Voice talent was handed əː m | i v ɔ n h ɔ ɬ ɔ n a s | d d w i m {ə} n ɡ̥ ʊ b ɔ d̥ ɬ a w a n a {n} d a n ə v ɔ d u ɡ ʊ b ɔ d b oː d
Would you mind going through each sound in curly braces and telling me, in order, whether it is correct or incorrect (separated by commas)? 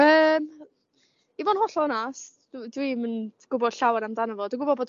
correct, incorrect